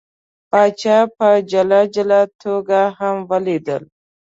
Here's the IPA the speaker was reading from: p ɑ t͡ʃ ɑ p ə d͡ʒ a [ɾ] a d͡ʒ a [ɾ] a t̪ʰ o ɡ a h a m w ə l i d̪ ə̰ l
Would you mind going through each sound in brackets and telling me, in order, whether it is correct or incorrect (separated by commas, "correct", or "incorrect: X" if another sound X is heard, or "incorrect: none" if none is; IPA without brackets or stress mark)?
incorrect: l, incorrect: l